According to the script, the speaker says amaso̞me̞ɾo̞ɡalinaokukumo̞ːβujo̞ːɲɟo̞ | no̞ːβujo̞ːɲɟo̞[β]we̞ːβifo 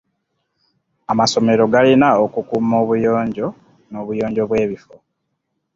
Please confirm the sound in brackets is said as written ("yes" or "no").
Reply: yes